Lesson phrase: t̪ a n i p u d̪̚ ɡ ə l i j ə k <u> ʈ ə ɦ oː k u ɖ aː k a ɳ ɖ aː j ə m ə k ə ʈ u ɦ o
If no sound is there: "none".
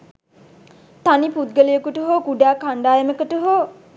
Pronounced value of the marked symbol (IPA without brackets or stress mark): u